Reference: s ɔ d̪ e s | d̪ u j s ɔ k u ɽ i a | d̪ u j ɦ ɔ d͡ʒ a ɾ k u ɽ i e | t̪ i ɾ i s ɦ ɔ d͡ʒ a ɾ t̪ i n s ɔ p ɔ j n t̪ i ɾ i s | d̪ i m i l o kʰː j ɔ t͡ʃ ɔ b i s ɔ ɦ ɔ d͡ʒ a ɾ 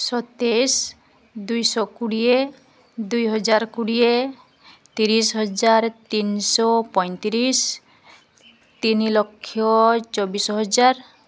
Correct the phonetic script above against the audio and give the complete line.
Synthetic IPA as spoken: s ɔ t̪ e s | d̪ u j s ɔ k u ɽ i e | d̪ u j ɦ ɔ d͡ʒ a ɾ k u ɽ i e | t̪ i ɾ i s ɦ ɔ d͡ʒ a ɾ t̪ i n s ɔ p ɔ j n t̪ i ɾ i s | t̪ i n i l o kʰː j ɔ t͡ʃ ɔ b i s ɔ ɦ ɔ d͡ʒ a ɾ